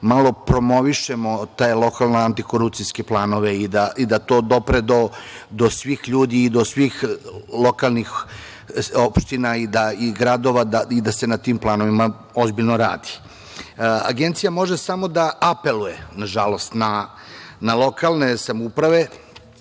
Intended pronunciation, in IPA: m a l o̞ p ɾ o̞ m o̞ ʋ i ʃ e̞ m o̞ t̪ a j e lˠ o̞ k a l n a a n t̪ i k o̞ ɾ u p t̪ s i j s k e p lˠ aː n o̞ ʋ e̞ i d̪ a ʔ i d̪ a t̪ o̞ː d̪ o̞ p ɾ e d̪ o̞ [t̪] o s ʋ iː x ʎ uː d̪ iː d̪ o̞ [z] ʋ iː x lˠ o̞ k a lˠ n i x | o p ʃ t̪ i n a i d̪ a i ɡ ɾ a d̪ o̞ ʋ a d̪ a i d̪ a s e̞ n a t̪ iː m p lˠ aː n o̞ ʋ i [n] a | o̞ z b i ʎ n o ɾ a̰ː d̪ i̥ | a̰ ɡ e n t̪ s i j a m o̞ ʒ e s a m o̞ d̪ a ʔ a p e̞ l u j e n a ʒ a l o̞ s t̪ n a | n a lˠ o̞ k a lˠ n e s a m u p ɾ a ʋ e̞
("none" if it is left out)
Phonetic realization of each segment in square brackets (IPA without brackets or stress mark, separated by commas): d̪, s, m